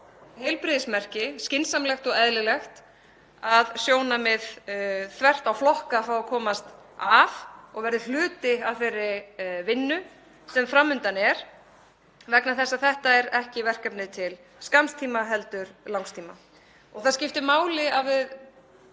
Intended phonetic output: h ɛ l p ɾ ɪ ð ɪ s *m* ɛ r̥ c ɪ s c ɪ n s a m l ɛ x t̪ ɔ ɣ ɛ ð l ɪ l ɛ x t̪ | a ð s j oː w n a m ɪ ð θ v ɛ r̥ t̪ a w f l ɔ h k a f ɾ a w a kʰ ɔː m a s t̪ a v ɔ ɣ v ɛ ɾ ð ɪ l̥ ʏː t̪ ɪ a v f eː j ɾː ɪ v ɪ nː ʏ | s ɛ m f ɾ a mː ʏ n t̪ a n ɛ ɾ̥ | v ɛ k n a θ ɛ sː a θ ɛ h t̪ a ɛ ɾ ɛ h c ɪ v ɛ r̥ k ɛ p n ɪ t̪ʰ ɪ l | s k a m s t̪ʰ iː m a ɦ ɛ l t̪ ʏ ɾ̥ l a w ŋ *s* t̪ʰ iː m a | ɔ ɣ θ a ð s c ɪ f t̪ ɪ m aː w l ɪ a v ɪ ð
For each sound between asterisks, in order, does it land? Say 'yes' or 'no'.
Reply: yes, yes

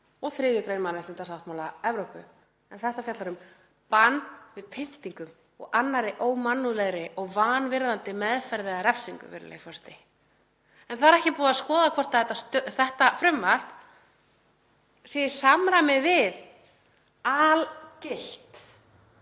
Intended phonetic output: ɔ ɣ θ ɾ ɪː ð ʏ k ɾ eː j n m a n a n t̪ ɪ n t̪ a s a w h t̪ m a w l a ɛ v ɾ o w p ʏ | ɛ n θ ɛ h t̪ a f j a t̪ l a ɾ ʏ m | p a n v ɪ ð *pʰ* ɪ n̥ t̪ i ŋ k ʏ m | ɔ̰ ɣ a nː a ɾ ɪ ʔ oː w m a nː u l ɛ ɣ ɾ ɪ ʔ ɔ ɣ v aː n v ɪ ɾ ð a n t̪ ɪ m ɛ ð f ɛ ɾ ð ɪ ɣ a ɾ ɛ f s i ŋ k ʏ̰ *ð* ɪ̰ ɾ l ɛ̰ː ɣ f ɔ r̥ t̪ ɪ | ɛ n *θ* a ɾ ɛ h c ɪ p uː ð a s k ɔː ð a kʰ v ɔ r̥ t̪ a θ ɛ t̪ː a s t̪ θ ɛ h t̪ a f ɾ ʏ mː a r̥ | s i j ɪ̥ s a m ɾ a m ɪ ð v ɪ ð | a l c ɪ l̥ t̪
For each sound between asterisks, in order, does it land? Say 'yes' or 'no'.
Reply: yes, no, yes

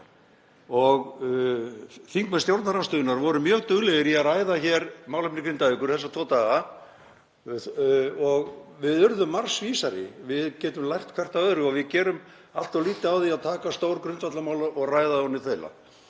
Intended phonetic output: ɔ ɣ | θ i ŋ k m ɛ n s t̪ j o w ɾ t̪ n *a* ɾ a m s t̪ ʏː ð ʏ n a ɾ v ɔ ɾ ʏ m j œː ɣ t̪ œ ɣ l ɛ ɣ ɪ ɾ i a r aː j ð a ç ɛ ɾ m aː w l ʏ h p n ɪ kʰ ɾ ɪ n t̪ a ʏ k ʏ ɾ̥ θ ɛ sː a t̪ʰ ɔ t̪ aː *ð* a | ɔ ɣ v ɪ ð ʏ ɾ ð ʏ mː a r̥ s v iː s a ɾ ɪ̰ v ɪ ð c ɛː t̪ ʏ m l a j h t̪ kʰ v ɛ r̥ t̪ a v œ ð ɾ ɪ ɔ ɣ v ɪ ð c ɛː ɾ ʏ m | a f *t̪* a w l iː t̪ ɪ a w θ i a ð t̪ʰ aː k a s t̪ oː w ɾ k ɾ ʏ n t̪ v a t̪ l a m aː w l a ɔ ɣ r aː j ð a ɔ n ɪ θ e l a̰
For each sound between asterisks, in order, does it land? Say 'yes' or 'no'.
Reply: yes, no, yes

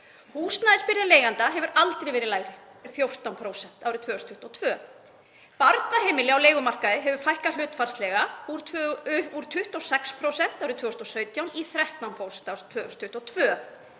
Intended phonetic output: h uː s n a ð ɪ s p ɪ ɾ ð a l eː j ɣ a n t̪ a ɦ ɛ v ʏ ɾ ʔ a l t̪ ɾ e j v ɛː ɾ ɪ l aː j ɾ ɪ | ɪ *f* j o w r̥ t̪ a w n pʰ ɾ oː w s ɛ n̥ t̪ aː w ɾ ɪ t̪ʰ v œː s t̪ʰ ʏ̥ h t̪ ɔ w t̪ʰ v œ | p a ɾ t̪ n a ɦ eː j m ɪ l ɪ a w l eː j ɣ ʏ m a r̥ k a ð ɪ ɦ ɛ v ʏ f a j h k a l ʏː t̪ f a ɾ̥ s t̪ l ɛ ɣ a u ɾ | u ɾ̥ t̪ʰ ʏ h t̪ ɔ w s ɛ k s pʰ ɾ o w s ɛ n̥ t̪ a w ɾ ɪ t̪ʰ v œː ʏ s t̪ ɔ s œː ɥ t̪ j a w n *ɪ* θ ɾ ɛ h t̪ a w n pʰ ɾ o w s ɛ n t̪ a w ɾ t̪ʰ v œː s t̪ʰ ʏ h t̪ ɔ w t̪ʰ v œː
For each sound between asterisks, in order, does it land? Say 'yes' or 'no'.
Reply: yes, no

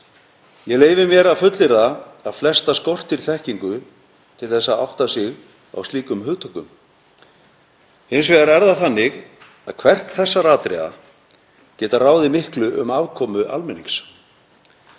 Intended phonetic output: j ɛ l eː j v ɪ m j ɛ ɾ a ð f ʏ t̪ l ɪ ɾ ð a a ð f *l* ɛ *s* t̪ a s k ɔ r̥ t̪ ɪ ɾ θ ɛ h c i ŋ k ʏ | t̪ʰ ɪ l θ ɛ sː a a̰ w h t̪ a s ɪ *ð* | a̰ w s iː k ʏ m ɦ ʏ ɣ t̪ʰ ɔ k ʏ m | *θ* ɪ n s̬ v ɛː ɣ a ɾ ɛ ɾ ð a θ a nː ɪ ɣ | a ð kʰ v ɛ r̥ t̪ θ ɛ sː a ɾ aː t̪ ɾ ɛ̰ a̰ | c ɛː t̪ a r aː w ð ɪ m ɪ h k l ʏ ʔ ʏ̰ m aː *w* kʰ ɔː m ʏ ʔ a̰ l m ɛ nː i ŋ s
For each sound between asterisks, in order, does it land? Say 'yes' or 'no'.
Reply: yes, yes, no, no, no

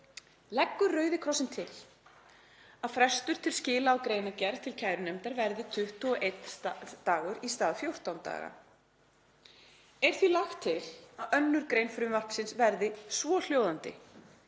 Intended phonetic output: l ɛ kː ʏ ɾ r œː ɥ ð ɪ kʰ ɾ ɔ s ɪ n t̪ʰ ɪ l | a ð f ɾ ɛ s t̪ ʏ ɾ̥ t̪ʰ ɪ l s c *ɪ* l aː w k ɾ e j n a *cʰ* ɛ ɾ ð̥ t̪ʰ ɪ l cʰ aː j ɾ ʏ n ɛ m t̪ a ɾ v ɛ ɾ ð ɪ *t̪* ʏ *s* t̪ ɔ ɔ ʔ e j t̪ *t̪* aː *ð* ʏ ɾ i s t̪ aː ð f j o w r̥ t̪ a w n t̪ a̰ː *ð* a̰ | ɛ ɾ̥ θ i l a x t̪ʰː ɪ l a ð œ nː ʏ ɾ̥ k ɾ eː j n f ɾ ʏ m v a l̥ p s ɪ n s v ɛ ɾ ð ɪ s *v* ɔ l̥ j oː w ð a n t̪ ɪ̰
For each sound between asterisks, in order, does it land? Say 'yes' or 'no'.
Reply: no, no, no, no, yes, no, no, yes

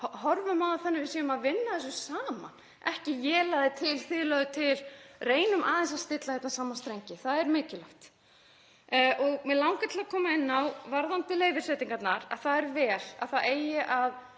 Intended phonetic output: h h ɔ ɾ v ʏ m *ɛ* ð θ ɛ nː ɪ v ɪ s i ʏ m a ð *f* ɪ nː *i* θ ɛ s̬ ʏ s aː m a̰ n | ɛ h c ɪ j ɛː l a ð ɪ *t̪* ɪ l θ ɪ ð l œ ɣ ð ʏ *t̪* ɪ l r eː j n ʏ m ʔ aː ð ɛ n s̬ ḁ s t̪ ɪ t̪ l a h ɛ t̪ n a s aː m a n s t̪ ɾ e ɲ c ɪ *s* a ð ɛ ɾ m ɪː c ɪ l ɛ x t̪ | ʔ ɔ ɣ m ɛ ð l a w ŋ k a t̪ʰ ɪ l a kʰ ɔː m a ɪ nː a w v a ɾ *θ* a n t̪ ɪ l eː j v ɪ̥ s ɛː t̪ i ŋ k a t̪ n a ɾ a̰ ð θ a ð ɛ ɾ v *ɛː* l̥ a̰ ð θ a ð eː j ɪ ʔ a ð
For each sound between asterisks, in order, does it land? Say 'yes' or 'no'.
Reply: no, no, no, no, no, no, no, yes

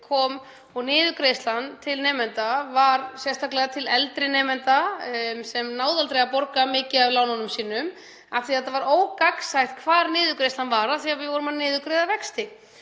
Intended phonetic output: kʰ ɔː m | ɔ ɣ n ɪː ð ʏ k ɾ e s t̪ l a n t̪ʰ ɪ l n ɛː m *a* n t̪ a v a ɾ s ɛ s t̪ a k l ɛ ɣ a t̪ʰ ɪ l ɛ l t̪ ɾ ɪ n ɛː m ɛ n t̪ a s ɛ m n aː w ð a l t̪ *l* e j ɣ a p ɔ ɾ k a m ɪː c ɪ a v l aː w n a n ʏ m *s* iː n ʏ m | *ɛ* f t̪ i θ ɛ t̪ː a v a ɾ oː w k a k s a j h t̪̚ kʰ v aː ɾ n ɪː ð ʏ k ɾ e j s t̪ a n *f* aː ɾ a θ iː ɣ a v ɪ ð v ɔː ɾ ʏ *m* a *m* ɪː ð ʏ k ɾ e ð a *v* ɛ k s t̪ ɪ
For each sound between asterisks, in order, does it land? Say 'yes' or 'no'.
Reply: no, no, yes, no, no, yes, no, yes

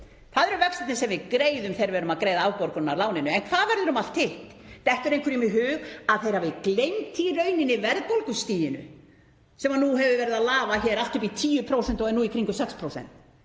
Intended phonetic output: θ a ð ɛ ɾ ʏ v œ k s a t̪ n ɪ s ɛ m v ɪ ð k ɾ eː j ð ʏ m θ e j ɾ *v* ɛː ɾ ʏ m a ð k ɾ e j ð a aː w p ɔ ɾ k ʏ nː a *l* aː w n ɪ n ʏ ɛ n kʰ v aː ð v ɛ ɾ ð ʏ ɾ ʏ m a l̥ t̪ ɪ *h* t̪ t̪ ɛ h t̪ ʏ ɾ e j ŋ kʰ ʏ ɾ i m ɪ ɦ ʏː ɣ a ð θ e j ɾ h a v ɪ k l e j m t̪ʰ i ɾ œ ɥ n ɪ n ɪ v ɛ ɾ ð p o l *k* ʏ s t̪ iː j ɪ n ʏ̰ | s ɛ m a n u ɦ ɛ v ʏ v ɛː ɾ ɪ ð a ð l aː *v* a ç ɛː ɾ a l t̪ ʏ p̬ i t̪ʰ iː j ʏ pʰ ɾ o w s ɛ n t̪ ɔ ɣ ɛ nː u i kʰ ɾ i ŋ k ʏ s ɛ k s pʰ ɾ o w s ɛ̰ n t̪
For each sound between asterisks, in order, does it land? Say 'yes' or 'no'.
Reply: yes, yes, yes, yes, yes

